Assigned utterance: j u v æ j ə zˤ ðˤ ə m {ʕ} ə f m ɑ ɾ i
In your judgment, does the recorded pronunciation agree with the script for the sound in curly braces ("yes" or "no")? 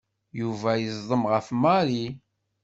no